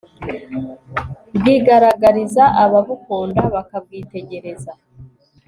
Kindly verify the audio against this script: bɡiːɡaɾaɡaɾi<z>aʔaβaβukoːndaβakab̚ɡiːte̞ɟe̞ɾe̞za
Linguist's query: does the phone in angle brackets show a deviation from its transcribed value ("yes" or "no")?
no